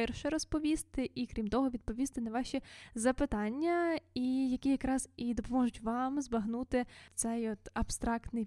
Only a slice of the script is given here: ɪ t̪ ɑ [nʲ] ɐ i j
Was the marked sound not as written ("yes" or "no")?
yes